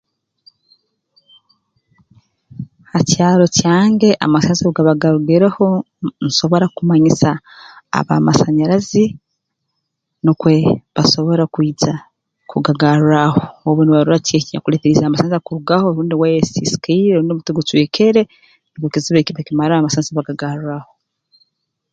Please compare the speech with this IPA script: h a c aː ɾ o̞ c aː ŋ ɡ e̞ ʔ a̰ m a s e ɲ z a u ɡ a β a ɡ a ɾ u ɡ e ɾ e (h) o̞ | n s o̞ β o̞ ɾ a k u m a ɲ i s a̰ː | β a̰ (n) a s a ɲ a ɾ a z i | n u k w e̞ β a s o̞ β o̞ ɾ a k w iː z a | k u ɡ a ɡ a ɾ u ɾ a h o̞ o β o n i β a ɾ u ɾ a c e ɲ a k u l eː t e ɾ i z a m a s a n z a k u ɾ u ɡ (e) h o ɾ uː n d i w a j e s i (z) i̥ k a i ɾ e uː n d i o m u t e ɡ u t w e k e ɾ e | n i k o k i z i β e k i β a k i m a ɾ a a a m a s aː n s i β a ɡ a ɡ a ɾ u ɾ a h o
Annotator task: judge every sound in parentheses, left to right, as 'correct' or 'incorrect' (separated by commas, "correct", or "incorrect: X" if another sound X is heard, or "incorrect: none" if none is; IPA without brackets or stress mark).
correct, incorrect: m, incorrect: a, incorrect: s